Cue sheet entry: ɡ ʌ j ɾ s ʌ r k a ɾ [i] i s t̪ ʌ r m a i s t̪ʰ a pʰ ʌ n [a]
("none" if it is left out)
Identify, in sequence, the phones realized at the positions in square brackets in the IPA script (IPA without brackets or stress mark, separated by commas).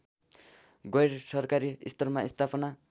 i, a